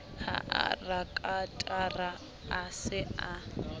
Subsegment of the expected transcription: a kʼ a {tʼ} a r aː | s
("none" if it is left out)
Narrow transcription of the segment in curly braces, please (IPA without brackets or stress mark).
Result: tʼ